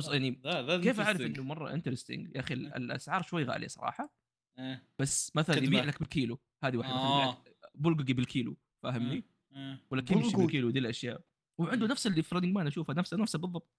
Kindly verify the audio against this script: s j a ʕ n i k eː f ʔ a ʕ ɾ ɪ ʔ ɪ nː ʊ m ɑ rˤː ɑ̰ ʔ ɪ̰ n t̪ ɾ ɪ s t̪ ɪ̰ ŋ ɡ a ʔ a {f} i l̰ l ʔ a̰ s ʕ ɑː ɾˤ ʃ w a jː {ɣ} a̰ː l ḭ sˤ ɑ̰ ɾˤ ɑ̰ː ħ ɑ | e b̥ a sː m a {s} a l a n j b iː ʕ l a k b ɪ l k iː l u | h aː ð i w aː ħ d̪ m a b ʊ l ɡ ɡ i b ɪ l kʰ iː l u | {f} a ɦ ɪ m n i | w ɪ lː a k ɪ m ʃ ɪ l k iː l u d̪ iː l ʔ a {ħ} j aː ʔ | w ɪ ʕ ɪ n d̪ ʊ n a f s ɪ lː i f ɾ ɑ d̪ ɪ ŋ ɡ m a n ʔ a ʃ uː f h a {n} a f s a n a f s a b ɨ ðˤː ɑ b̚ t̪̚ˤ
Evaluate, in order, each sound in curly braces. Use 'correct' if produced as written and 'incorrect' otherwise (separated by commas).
incorrect, correct, incorrect, correct, incorrect, correct